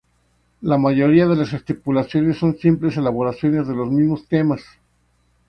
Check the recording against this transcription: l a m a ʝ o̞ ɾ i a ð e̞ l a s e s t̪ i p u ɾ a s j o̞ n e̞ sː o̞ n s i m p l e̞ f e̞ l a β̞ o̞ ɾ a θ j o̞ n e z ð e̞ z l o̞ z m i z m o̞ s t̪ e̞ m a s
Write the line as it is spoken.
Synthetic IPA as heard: l a m a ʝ o̞ ɾ i a ð e̞ l a s e s t̪ i p u l a s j o̞ n e̞ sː o̞ n s i m p l e̞ s e̞ l a β̞ o̞ ɾ a s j o̞ n e z ð e̞ l o̞ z m i z m o̞ s t̪ e̞ m a s